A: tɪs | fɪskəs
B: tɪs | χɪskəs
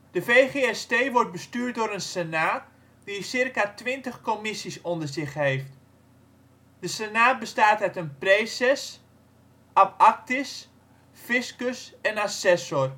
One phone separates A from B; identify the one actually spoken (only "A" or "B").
A